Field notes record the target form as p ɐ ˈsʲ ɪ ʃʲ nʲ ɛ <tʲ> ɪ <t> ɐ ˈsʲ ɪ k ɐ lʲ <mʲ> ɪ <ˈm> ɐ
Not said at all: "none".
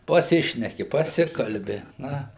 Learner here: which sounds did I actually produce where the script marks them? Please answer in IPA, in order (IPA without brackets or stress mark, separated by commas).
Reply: kʲ, p, bʲ, n